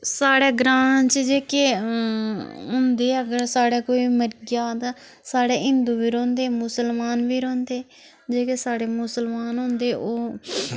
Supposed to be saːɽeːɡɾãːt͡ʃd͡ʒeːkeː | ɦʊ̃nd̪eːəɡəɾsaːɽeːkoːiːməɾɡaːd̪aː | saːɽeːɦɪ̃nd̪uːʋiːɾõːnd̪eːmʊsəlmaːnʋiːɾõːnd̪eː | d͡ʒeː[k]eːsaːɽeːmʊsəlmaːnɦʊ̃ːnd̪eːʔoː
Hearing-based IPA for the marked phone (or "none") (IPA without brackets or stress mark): k